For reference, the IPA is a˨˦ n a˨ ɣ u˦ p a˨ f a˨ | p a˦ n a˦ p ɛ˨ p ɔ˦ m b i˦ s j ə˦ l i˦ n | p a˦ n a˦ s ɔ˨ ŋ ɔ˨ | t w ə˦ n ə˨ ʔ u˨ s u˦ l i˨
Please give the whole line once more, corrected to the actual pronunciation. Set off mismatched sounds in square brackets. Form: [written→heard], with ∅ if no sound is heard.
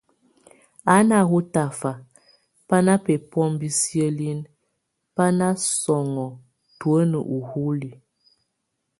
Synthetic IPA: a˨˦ n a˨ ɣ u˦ [p→t] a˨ f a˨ | p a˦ n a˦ p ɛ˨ p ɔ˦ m b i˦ s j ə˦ l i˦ n | p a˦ n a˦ s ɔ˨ ŋ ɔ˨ | t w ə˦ n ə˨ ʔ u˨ [s→h] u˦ l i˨

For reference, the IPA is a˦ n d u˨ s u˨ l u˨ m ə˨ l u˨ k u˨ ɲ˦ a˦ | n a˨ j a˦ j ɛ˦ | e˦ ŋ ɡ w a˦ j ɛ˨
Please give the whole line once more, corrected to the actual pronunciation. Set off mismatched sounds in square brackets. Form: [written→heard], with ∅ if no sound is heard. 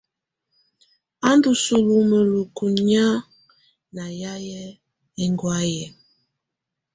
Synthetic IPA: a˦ n d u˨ s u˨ l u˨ m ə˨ l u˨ k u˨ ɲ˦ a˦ | n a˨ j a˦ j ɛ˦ | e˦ ŋ ɡ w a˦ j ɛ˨

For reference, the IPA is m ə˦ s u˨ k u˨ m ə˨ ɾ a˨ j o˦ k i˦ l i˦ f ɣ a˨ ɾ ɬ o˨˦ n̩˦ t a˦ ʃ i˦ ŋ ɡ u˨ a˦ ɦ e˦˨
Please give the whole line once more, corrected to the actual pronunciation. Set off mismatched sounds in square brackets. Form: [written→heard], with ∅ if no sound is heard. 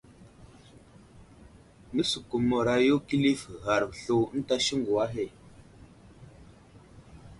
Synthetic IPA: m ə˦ s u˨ k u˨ m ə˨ ɾ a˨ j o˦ k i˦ l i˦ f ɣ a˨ ɾ ɬ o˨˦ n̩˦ t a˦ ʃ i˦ ŋ ɡ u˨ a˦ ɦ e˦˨

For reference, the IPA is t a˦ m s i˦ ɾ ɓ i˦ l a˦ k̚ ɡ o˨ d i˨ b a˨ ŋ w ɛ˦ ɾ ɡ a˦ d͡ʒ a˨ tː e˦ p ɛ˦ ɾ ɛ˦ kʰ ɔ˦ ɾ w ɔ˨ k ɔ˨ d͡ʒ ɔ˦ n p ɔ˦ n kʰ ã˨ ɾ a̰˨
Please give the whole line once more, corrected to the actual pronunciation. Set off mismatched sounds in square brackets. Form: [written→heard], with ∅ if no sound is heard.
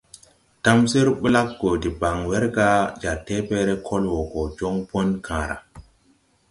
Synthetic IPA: t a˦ m s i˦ ɾ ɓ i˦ l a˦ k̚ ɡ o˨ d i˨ b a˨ ŋ w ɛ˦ ɾ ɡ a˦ d͡ʒ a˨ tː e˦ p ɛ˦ ɾ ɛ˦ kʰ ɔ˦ [ɾ→l] w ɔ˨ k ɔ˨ d͡ʒ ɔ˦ [n→ŋ] p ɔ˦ n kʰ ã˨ ɾ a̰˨

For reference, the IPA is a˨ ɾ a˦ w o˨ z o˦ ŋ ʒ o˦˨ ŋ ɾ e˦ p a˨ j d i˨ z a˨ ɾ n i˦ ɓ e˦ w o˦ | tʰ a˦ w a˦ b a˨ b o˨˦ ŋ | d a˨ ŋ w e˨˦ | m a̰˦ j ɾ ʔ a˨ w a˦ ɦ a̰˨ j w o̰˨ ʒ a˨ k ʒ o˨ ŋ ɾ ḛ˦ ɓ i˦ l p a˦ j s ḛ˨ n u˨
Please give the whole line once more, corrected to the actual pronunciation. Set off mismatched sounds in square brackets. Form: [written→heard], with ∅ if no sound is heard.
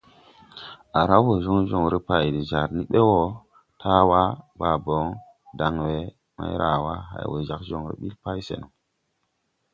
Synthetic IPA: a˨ ɾ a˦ w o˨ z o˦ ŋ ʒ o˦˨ ŋ ɾ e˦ p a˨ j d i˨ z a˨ ɾ n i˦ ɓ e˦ w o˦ | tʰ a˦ w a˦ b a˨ b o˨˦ ŋ | d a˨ ŋ w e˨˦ | m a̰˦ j ɾ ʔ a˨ w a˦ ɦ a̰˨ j w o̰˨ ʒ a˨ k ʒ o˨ ŋ ɾ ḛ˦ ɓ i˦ l p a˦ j s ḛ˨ n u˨

